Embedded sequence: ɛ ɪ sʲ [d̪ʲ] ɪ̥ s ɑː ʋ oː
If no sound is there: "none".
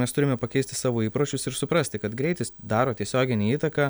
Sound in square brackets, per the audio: t̪ʲ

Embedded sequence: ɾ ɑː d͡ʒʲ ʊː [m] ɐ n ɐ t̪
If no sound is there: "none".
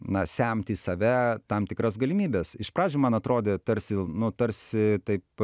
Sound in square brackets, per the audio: m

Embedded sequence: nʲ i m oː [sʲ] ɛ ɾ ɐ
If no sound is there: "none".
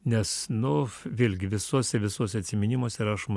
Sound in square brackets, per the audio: sʲ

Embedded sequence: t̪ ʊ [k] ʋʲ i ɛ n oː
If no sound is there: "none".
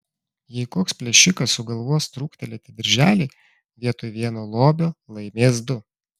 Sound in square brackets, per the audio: none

